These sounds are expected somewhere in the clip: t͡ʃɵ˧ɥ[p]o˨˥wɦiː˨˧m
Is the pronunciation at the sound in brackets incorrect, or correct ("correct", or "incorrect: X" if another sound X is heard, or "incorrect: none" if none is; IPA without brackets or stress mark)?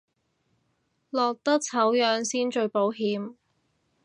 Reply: correct